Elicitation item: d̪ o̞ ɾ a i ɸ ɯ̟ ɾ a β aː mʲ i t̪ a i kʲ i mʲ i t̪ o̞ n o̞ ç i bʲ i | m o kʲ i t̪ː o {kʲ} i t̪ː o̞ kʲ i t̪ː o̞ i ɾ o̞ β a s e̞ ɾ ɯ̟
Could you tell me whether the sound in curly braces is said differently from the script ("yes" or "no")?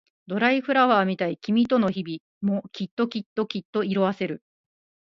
no